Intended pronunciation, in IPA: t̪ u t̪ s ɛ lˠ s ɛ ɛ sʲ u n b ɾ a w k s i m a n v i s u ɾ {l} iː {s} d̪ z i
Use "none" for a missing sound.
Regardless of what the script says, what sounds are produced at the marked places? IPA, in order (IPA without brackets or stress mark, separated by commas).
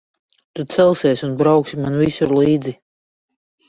l, none